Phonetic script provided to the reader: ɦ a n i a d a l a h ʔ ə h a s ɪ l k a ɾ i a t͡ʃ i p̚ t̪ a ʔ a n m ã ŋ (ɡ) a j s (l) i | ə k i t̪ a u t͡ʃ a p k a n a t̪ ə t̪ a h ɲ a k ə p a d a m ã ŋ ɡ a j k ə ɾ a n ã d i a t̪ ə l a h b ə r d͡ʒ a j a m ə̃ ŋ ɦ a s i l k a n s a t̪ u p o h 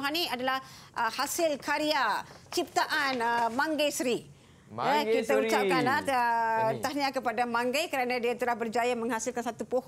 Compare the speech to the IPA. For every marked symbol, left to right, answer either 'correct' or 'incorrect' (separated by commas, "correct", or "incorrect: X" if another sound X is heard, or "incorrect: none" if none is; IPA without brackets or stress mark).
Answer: correct, incorrect: ɾ